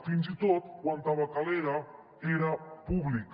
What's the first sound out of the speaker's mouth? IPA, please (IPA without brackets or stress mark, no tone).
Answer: f